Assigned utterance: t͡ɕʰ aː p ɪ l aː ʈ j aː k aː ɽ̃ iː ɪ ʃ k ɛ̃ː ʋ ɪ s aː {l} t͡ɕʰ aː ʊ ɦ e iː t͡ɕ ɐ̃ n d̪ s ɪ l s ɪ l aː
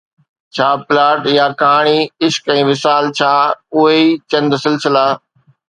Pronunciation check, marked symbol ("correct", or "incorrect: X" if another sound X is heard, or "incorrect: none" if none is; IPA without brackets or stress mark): correct